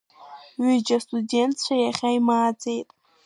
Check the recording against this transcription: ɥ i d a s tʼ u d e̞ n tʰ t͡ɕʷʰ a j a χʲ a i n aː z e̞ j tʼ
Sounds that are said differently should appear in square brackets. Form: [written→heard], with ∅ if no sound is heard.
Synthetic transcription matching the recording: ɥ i [d→d͡ʒ] a s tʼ u d e̞ n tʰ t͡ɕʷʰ a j a χʲ a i [n→m] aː [z→d͡z] e̞ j tʼ

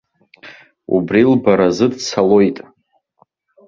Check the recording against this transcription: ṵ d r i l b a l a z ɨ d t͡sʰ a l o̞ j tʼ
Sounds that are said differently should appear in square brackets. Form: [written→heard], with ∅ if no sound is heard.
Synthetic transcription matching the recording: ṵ [d→b] r i l b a [l→ɾ] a z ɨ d t͡sʰ a l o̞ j tʼ

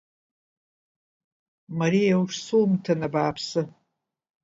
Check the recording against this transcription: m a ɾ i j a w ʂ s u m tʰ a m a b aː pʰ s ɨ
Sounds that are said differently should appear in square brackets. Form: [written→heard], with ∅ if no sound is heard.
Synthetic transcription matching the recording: m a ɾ i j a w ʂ s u m tʰ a [m→n] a b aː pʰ s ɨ

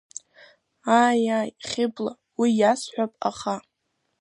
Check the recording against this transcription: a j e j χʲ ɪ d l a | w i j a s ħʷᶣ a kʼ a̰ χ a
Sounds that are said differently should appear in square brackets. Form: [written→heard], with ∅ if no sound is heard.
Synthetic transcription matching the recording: a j [e→a] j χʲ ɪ [d→b] l a | w i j a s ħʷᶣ a [kʼ→pʼ] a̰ χ a

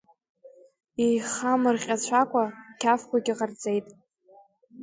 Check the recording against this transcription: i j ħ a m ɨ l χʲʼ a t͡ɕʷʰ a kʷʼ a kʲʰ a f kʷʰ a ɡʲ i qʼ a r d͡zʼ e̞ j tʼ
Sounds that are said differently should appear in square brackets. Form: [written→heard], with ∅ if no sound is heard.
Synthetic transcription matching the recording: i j [ħ→χ] a m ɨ [l→r] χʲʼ a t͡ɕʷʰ a kʷʼ a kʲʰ a f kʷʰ a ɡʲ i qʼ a r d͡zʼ e̞ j tʼ

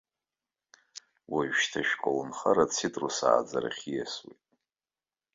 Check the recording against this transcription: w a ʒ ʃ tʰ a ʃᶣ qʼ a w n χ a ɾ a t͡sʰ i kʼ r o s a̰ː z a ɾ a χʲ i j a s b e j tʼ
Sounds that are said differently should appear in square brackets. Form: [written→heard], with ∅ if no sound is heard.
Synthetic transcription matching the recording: w a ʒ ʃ tʰ a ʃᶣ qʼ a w n χ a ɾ a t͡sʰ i [kʼ→tʼ] r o s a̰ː [z→d͡z] a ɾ a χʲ i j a s [b→w] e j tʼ

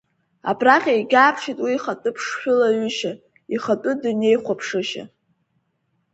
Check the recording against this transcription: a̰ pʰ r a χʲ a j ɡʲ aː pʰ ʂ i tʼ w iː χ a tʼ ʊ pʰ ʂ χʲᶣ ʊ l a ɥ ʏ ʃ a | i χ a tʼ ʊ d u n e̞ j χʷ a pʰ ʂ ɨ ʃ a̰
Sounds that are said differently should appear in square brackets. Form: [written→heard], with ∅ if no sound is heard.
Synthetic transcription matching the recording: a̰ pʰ r a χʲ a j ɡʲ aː pʰ ʂ i tʼ w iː χ a tʼ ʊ pʰ ʂ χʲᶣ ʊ l a ɥ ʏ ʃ a | i χ a tʼ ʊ d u n e̞ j χʷ a pʰ ʂ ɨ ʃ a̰

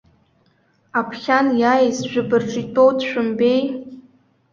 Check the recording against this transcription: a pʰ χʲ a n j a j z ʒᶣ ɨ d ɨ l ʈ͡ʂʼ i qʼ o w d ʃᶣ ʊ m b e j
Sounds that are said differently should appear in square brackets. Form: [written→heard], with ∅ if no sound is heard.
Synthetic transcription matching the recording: a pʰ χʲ a n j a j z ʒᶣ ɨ [d→b] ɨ [l→r] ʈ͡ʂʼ i [qʼ→tʼ] o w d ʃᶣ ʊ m b e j

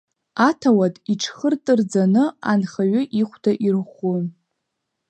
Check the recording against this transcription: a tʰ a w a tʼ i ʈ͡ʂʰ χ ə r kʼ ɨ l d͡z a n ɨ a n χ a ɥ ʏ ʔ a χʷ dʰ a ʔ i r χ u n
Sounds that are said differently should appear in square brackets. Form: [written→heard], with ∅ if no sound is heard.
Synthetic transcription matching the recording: a tʰ a w a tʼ i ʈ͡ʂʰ χ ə r [kʼ→tʼ] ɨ [l→r] d͡z a n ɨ a n χ a ɥ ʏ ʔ [a→i] χʷ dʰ a ʔ i r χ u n

